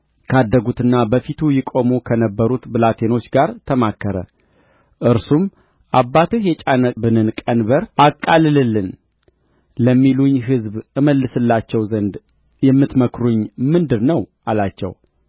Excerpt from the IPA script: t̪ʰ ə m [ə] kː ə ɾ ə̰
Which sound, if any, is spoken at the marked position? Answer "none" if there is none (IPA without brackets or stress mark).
a